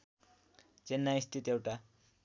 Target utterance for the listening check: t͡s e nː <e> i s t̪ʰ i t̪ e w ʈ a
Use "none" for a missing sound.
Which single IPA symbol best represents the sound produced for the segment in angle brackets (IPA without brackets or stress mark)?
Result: a